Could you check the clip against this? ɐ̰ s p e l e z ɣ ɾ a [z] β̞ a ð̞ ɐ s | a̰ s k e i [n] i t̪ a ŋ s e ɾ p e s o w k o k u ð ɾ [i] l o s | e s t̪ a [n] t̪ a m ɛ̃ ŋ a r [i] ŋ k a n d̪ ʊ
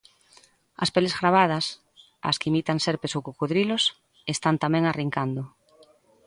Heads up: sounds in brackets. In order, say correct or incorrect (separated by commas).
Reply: incorrect, incorrect, correct, correct, correct